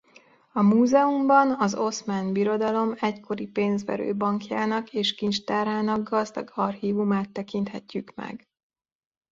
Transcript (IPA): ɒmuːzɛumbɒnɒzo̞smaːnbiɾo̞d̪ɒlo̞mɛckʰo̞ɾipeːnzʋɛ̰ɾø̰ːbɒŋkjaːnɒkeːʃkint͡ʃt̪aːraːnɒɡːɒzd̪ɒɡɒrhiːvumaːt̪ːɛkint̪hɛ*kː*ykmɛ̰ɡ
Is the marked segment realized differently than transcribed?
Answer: yes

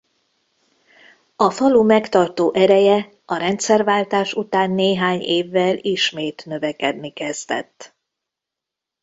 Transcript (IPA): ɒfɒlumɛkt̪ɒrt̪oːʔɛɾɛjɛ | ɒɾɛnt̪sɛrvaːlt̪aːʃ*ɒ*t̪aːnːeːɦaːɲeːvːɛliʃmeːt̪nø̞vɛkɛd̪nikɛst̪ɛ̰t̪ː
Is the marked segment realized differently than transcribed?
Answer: yes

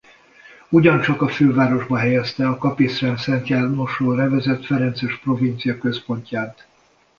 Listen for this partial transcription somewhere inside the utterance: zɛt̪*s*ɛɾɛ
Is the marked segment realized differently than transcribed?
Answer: yes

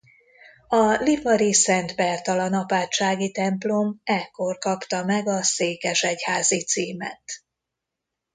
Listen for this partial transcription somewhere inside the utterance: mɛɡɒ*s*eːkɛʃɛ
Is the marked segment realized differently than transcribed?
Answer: no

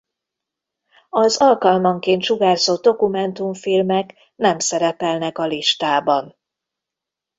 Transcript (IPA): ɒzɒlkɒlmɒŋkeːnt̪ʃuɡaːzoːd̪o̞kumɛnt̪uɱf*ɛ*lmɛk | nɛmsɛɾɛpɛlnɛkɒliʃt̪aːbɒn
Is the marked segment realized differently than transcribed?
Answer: yes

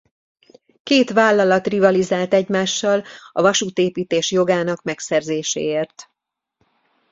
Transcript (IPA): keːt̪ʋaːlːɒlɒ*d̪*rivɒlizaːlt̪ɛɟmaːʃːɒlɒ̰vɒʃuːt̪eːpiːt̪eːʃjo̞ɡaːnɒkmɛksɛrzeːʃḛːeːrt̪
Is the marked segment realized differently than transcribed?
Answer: yes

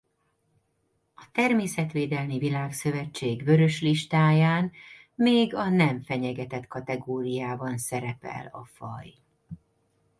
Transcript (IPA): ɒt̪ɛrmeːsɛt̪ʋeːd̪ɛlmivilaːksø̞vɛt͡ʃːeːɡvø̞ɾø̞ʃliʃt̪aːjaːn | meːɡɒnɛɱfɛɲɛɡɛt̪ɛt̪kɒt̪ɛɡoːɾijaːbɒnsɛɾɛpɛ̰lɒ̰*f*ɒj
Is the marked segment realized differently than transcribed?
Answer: no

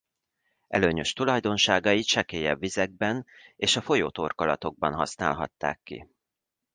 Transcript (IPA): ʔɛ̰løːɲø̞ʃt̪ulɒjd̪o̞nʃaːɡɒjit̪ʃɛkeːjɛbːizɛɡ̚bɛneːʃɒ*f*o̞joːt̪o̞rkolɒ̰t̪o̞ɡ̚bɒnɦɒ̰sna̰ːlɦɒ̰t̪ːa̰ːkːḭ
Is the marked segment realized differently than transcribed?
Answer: no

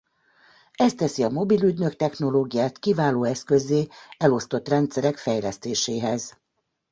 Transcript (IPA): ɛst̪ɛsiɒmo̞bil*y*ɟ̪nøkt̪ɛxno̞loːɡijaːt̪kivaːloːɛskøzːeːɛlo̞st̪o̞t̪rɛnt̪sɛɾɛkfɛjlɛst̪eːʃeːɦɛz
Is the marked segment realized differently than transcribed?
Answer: no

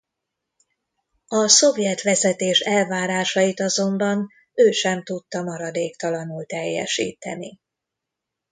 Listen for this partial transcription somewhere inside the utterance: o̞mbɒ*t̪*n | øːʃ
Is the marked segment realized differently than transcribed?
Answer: yes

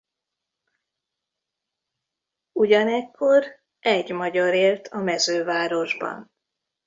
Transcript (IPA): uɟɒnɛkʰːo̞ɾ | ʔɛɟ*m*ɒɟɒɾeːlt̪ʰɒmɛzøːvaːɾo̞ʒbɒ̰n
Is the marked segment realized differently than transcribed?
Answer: no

